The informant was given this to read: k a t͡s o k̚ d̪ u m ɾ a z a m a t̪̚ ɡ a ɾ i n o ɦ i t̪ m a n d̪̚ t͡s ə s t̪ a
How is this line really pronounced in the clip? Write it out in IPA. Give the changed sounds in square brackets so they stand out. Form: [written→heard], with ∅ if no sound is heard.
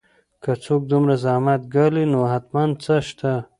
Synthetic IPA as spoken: k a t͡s o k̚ d̪ u m ɾ a z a m a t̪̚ ɡ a [ɾ→l] i n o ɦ [i→a] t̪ m a n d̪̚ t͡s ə [s→ʃ] t̪ a

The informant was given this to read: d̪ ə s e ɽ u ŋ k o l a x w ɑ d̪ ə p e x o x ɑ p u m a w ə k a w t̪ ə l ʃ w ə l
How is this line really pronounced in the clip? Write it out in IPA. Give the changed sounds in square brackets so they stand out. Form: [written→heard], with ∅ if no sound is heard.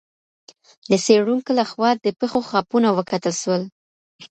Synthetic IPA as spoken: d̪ ə s e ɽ u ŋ k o l a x w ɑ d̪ ə p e x o x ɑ p u [m→n] a w ə k a [w→∅] t̪ ə l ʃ w ə l

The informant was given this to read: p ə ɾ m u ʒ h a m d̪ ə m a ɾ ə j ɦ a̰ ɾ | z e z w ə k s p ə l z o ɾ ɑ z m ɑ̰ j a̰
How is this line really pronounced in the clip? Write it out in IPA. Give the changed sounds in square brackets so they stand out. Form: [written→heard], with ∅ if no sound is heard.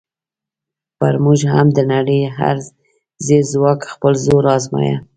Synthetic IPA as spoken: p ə ɾ m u ʒ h a m d̪ ə [m→n] a [ɾ→ɽ] ə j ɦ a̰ ɾ | z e z w [ə→ɑ] k [s→x] p ə l z o ɾ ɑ z m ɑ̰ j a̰

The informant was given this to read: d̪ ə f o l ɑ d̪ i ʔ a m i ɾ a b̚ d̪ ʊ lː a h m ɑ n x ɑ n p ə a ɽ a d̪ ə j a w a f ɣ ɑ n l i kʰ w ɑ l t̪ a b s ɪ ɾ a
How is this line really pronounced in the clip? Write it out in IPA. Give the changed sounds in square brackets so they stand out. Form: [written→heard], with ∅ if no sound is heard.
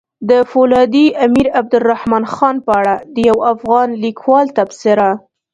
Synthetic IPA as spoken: d̪ ə f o l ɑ d̪ i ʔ a m i ɾ a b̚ d̪ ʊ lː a h m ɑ n x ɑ n p ə a ɽ a d̪ ə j a w a f ɣ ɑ n l i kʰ w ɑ l t̪ a b s ɪ ɾ a

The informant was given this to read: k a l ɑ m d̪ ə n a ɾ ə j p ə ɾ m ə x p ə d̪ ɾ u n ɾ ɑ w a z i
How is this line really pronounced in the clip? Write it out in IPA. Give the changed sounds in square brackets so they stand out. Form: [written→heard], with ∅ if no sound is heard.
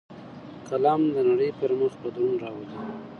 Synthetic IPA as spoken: k a l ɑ m d̪ ə n a [ɾ→ɽ] ə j p ə ɾ m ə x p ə d̪ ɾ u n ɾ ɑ w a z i

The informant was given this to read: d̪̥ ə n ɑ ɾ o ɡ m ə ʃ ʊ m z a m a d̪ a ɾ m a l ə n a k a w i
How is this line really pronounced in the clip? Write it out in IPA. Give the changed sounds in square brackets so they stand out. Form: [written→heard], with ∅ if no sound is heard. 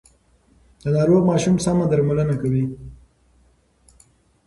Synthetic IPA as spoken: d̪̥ ə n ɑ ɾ o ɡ m [ə→ɑ] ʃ [ʊ→u] m [z→s] a m a d̪ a ɾ m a l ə n a k a w i

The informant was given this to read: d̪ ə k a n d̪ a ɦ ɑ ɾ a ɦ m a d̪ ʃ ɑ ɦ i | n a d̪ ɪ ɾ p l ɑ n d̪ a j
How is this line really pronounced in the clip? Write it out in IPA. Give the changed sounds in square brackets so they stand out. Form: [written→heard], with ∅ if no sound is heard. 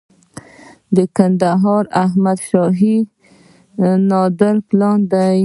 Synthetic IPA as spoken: d̪ ə k a n d̪ a ɦ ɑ ɾ a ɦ m a d̪ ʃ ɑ ɦ i | n [a→ɑ] d̪ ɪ ɾ p l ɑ n d̪ a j

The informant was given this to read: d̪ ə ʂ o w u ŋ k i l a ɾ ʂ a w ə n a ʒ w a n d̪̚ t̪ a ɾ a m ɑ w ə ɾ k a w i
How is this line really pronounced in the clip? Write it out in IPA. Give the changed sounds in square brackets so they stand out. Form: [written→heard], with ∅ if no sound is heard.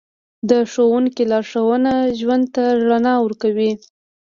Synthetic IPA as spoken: d̪ ə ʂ o w u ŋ k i l [a→ɑ] ɾ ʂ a w ə n a ʒ w a n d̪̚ t̪ a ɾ a [m→n] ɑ w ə ɾ k a w i

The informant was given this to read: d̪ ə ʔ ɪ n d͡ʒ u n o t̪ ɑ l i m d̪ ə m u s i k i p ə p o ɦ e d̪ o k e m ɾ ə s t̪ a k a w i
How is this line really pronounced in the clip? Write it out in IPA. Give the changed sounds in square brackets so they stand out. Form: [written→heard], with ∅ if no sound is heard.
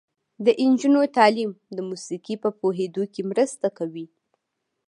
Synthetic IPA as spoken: d̪ ə ʔ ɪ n d͡ʒ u n o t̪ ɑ l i m d̪ ə m u s i k i p ə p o ɦ e d̪ o k e m ɾ ə s t̪ a k a w i

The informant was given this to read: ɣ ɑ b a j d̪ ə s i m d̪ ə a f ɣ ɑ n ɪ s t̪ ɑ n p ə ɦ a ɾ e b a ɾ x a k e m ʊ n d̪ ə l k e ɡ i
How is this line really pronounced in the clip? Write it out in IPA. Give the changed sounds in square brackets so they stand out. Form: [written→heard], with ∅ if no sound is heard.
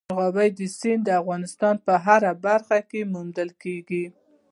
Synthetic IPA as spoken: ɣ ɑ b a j d̪ ə s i [m→n] d̪ ə a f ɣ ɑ n ɪ s t̪ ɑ n p ə ɦ a ɾ [e→a] b a ɾ x a k e m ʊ [n→m] d̪ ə l k e ɡ i

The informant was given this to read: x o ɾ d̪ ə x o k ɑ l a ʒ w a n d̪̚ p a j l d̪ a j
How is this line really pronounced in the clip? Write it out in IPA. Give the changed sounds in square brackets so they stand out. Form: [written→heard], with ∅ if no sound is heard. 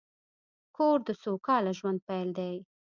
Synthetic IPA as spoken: [x→k] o ɾ d̪ ə [x→s] o k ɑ l a ʒ w a n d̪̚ p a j l d̪ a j

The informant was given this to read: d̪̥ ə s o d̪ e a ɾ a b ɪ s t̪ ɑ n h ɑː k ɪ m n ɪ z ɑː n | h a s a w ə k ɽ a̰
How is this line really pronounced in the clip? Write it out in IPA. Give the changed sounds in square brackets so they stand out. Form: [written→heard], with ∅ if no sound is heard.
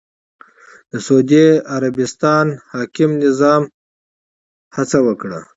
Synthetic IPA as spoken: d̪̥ ə s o d̪ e a ɾ a b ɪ s t̪ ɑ n h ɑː k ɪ m n ɪ z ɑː [n→m] | h a [s→t͡s] a w ə k ɽ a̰

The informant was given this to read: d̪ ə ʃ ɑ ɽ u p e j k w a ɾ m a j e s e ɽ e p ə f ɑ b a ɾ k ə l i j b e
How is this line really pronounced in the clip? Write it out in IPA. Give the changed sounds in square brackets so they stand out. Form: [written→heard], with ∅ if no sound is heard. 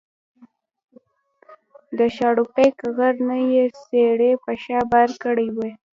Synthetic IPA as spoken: d̪ ə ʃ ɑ ɽ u p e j k [w→ɣ] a ɾ [m→n] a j e s e ɽ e p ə [f→ʃ] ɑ b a ɾ k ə [l→ɽ] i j [b→w] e

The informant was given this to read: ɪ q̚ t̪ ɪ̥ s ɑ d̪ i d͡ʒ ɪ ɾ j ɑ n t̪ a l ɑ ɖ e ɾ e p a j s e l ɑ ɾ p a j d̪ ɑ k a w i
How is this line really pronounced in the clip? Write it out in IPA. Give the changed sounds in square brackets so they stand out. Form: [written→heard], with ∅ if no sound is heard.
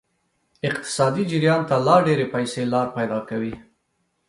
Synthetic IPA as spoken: ɪ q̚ t̪ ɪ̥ s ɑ d̪ i d͡ʒ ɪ ɾ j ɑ n t̪ a l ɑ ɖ e ɾ e p a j s e l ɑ ɾ p a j d̪ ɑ k a w i

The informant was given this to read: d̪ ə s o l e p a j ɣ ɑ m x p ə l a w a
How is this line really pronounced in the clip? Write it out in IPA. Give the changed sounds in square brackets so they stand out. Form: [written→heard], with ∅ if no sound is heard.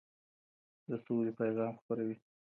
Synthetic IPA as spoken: d̪ ə s o l e p a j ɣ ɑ m x p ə [l→ɾ] a w [a→i]

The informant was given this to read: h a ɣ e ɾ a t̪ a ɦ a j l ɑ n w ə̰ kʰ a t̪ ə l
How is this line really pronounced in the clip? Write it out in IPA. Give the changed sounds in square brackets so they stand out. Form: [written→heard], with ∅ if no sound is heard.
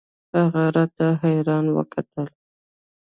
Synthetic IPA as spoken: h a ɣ [e→a] ɾ a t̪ a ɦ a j [l→ɾ] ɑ n w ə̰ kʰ a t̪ ə l

